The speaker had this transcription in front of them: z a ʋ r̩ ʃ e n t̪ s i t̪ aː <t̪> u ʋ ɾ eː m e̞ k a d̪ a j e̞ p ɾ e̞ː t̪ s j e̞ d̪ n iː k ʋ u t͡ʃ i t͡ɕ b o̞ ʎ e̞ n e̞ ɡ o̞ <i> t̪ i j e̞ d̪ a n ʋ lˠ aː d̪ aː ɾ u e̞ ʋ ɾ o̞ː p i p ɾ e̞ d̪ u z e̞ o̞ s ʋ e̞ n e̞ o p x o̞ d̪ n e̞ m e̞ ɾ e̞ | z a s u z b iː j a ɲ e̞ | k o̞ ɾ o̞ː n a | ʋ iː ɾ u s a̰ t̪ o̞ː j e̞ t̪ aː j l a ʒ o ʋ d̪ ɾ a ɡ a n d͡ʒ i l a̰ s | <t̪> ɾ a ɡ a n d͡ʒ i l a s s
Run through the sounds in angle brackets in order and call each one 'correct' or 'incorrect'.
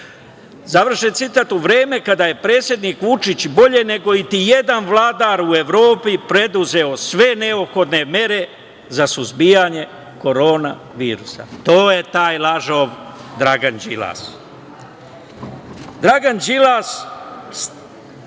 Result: correct, correct, incorrect: d̪

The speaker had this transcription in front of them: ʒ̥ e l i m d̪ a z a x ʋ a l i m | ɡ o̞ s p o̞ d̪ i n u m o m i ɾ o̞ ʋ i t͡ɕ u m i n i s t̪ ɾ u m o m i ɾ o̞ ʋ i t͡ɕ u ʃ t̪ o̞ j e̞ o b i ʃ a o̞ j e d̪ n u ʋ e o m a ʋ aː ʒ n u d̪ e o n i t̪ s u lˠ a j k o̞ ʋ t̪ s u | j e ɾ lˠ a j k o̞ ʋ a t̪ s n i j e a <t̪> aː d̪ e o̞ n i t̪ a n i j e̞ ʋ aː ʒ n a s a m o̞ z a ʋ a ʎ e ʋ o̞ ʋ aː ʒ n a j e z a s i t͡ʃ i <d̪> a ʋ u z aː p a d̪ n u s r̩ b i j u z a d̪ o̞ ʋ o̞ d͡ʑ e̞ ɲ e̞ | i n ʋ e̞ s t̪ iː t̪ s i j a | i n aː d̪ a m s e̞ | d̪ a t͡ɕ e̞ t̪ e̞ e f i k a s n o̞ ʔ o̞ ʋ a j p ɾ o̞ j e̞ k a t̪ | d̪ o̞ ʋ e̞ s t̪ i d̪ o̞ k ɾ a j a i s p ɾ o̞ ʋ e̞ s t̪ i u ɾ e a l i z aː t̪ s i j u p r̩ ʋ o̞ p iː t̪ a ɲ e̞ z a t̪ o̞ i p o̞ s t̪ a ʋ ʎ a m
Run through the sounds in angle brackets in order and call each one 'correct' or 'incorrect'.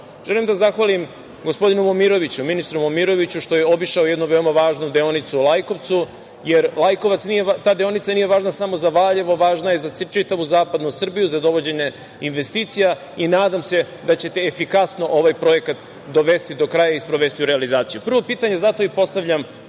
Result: correct, incorrect: t̪

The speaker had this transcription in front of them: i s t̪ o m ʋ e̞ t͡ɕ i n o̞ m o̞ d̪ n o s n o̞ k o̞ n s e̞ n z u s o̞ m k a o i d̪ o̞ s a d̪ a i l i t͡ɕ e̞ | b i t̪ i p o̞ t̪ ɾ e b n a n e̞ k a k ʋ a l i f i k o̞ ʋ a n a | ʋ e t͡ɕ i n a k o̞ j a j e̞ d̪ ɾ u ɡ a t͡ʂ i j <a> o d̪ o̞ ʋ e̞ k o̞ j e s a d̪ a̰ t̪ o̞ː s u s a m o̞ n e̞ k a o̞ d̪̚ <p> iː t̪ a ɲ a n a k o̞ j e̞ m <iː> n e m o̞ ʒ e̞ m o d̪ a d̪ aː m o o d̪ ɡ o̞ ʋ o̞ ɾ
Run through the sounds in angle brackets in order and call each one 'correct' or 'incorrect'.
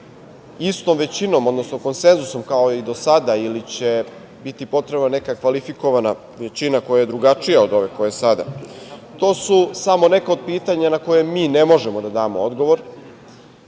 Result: correct, correct, correct

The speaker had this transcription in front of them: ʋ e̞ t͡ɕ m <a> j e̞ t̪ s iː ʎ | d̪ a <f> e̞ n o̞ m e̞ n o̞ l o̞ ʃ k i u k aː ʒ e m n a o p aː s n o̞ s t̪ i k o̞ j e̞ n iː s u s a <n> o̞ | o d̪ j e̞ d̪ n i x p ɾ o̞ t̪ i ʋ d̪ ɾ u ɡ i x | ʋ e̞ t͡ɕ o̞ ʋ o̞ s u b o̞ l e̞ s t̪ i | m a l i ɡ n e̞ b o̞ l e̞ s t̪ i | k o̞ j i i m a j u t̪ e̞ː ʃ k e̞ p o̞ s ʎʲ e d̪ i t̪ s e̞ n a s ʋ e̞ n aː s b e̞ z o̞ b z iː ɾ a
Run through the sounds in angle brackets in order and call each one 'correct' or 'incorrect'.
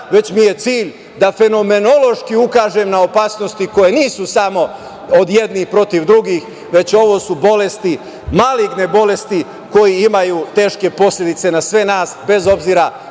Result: incorrect: i, correct, incorrect: m

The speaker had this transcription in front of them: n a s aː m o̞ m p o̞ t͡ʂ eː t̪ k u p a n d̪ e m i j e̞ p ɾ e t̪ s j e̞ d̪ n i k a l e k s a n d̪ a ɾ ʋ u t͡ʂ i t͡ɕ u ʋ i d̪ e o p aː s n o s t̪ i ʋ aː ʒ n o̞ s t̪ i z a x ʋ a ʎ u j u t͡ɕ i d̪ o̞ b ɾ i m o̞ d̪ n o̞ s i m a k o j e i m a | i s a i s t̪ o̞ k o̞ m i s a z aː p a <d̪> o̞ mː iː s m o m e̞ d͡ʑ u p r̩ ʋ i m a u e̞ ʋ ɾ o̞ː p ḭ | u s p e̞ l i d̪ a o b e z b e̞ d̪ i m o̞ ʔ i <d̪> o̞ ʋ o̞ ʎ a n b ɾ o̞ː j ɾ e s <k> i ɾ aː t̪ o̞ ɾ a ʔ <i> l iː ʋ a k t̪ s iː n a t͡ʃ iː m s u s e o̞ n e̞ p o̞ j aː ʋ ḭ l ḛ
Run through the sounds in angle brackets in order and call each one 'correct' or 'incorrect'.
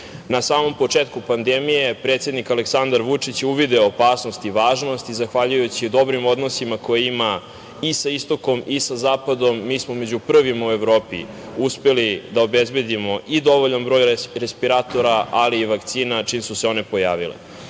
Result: correct, correct, incorrect: p, incorrect: a

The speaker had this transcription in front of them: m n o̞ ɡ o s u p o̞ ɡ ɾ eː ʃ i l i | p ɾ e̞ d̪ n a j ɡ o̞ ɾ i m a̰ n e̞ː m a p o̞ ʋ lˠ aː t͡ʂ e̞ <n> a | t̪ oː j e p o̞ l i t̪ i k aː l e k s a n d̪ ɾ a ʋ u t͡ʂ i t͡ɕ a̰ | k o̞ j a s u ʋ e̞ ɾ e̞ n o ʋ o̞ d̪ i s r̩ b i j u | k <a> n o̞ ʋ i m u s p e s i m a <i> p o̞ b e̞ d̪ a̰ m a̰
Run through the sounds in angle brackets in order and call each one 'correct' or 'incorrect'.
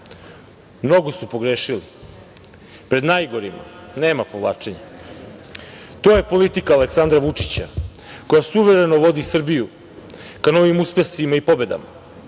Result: incorrect: ɲ, correct, correct

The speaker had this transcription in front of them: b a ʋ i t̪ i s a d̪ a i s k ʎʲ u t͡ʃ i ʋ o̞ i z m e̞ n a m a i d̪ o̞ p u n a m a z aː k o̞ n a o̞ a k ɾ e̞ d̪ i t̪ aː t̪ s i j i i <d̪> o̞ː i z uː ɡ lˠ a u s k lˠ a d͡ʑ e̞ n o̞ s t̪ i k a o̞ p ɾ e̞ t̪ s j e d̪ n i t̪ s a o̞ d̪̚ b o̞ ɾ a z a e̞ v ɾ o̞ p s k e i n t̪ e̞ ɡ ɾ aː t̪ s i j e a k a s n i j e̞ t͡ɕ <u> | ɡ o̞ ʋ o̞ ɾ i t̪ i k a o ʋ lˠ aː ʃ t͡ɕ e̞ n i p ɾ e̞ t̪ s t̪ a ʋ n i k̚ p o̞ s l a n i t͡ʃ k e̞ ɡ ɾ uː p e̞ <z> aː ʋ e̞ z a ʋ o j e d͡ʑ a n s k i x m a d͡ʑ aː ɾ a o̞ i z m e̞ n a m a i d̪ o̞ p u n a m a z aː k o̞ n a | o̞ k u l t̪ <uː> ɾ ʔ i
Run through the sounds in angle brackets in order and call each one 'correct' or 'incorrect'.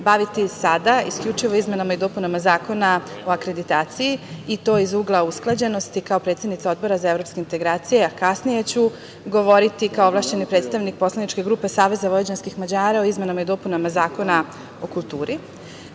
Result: incorrect: t̪, correct, incorrect: s, correct

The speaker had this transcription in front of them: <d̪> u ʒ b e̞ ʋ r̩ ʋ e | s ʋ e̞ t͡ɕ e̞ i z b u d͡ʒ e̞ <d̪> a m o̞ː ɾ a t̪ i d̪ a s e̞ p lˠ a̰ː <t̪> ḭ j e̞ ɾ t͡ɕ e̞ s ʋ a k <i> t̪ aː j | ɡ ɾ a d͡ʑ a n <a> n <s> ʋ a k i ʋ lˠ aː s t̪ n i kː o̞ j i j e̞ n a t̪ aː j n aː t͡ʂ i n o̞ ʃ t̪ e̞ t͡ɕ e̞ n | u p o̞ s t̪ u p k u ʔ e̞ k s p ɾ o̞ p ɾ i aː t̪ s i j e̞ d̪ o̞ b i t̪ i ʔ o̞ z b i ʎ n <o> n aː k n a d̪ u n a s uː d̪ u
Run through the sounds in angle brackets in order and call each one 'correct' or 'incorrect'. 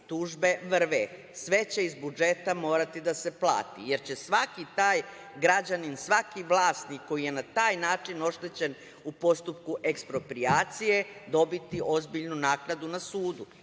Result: incorrect: t̪, incorrect: t̪, correct, correct, incorrect: i, correct, incorrect: u

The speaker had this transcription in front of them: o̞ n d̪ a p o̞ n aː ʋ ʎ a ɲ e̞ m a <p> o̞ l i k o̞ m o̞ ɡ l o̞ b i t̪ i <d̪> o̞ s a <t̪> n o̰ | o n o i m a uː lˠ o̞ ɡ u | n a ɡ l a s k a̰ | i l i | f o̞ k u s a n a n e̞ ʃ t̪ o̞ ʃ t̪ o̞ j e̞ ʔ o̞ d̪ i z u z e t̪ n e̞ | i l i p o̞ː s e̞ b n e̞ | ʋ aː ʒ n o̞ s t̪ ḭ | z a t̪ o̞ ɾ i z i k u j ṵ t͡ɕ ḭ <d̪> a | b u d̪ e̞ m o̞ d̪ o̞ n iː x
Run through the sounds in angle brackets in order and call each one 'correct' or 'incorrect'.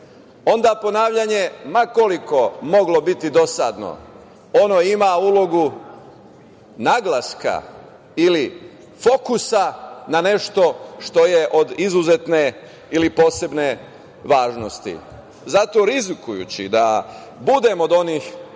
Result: incorrect: k, correct, incorrect: d̪, correct

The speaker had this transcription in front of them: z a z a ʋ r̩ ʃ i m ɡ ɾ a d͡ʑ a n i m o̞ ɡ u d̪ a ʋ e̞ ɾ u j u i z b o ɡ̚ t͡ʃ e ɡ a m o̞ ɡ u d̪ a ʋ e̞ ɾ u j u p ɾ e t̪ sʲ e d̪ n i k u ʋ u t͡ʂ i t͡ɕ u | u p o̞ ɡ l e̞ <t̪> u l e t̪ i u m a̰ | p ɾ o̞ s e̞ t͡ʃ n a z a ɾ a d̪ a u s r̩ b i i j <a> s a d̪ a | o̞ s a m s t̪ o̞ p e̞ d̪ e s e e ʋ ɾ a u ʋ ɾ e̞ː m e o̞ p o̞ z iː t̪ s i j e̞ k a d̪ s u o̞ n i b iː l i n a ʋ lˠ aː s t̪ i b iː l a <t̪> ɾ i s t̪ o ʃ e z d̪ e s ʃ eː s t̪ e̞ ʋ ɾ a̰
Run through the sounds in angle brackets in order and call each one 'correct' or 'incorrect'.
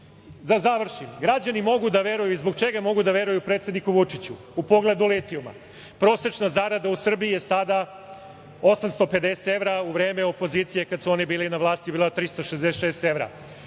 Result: incorrect: d̪, incorrect: e, correct

